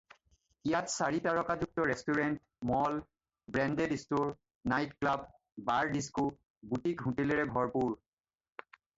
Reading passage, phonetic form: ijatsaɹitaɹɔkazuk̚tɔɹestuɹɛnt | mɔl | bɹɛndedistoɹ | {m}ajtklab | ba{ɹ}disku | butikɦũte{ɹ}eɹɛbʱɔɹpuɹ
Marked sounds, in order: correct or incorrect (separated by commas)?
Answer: incorrect, correct, incorrect